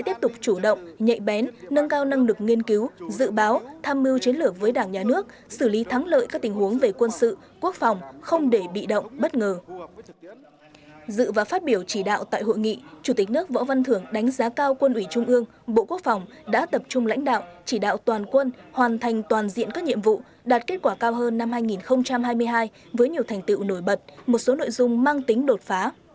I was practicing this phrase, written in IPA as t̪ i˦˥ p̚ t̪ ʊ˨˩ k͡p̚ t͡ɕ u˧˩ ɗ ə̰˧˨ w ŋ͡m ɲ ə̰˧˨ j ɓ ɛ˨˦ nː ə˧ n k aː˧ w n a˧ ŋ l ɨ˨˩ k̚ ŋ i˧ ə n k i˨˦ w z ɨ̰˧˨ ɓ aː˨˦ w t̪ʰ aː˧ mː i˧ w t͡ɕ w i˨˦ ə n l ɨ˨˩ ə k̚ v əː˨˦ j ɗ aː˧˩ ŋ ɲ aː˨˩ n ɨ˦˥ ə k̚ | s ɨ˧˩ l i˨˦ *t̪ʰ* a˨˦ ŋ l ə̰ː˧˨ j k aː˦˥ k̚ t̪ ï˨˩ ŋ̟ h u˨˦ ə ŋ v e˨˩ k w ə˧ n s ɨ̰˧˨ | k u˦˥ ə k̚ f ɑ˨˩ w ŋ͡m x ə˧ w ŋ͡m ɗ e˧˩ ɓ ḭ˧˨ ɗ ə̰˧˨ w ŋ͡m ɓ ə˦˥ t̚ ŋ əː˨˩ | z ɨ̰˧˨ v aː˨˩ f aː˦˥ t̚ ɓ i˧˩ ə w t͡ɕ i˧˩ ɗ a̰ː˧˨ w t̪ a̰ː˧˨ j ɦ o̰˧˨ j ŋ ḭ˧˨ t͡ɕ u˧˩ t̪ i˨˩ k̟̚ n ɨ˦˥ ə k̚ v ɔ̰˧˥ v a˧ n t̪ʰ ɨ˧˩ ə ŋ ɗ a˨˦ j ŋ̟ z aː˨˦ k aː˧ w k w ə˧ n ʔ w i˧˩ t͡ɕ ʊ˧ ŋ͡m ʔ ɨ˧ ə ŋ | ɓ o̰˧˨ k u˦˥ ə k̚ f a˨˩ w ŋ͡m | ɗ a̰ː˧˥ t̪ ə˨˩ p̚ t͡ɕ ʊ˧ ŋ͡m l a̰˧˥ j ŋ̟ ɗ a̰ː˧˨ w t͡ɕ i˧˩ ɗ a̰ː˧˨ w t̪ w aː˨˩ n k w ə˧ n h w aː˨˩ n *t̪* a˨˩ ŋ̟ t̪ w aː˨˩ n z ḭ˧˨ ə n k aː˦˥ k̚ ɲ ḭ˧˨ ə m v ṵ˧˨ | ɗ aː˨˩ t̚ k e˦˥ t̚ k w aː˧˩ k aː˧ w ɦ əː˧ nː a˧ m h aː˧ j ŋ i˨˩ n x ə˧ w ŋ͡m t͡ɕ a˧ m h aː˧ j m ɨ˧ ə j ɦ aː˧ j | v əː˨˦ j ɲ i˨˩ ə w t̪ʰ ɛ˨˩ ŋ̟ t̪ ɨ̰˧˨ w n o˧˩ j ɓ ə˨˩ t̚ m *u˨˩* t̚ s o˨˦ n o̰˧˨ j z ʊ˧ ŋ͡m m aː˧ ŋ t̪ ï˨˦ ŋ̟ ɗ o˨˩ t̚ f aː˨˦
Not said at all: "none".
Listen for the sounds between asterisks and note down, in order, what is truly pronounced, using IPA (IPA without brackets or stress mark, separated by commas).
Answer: t̪ʰ, t̪ʰ, o˨˩